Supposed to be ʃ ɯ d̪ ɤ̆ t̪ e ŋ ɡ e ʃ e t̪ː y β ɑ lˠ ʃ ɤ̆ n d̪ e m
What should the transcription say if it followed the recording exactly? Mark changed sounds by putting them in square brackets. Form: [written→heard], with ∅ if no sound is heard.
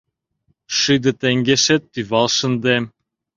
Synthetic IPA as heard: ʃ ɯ d̪ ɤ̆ t̪ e ŋ ɡ e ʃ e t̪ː y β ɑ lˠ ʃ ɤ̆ n d̪ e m